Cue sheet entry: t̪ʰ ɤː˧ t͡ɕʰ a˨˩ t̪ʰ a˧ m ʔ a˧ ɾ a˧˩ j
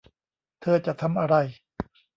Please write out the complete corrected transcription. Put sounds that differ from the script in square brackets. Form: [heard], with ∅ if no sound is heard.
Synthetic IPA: t̪ʰ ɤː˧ [t͡ɕ] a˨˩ t̪ʰ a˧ m ʔ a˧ ɾ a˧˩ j